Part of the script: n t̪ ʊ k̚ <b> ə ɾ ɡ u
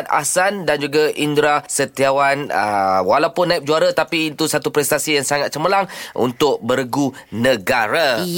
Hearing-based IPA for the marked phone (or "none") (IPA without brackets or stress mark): b